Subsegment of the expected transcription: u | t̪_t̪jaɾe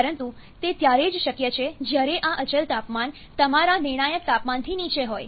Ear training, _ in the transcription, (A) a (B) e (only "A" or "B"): B